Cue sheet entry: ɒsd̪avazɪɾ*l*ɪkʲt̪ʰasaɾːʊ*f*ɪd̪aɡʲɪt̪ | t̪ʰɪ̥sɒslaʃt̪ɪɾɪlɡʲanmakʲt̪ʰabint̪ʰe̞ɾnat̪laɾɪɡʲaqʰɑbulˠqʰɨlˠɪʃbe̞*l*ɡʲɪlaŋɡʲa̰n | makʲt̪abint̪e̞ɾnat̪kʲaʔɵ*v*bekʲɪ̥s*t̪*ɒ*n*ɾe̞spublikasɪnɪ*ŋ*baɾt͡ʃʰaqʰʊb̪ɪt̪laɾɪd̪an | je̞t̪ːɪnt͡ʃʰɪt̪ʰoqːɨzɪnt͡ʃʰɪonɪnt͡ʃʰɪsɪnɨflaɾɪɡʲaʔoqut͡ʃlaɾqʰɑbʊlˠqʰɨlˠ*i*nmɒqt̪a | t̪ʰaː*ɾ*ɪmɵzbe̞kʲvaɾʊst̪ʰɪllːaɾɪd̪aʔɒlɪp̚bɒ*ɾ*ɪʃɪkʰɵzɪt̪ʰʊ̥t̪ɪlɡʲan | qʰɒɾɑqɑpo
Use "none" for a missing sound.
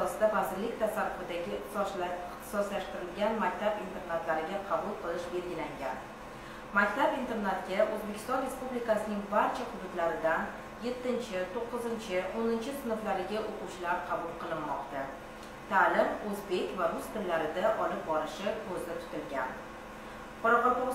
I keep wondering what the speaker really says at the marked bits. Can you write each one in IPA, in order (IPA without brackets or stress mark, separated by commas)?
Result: l, f, l, z, t̪, n, ŋ, ɪ, l, ɾ